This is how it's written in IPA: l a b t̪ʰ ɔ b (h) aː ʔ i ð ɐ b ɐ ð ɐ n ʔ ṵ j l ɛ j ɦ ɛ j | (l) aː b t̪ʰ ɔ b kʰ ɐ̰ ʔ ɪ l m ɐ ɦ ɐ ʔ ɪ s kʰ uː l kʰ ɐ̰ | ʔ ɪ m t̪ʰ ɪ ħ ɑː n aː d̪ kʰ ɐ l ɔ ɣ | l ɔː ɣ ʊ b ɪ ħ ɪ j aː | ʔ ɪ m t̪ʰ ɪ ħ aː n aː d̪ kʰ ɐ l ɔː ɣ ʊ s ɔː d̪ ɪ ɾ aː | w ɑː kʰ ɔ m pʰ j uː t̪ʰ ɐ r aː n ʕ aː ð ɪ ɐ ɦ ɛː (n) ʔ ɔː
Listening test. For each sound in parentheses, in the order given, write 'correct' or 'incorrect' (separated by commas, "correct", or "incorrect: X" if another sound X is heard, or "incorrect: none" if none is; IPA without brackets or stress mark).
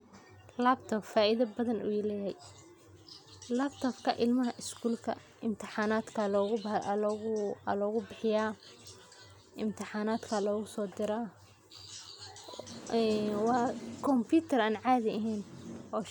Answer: incorrect: f, correct, correct